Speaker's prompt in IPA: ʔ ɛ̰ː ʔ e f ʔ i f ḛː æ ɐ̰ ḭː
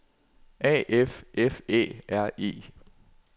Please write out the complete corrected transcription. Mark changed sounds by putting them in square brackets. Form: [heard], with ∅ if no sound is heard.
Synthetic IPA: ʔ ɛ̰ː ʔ e f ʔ [e] f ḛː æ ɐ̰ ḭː